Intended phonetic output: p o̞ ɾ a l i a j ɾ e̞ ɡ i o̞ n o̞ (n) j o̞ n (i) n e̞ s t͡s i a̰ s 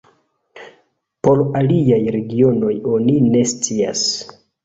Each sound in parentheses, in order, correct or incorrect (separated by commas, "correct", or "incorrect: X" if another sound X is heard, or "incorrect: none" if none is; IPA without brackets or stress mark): incorrect: none, correct